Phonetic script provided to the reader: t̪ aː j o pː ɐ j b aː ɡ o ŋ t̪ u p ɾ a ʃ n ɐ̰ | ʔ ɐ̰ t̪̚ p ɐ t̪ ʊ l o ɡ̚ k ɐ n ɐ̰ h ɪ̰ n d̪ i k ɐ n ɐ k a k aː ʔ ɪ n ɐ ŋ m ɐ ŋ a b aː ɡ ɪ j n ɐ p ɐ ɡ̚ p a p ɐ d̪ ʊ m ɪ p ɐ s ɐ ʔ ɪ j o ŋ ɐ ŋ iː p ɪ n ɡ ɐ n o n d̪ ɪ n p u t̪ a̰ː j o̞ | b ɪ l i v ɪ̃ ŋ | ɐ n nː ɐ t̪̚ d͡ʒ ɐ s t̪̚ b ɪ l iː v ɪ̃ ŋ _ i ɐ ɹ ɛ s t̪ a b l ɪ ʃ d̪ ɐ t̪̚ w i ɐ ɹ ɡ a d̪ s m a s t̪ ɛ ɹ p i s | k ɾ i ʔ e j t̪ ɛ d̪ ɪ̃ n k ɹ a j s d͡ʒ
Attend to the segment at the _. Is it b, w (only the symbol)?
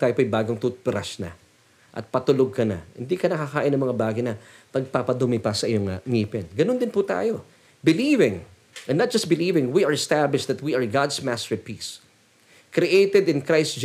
w